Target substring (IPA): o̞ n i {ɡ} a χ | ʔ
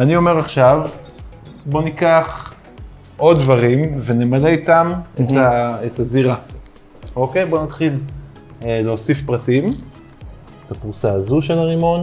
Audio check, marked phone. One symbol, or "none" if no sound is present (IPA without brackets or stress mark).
k